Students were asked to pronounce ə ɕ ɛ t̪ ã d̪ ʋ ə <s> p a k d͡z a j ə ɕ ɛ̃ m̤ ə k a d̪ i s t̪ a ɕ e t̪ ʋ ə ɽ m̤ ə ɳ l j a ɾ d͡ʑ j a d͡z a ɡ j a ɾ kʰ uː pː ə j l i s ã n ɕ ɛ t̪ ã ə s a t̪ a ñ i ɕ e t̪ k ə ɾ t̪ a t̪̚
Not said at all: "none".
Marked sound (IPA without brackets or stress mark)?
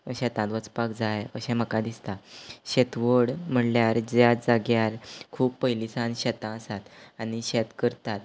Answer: t͡s